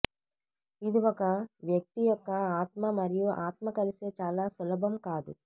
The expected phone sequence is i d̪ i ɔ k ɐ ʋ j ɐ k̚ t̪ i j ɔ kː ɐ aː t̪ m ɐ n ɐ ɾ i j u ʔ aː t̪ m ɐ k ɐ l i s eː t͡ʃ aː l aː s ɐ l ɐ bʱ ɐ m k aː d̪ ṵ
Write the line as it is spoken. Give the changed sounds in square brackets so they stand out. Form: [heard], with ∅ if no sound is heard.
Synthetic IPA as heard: i d̪ i ɔ k ɐ ʋ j ɐ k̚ t̪ i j ɔ kː ɐ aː t̪ m ɐ [m] ɐ ɾ i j u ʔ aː t̪ m ɐ k ɐ l i s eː t͡ʃ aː l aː s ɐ l ɐ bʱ ɐ m k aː d̪ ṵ